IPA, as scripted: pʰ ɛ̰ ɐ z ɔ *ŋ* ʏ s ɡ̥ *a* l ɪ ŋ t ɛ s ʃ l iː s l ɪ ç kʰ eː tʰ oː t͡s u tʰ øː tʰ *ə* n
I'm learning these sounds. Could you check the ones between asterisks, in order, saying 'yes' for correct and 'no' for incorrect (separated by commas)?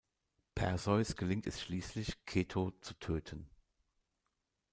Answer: no, no, yes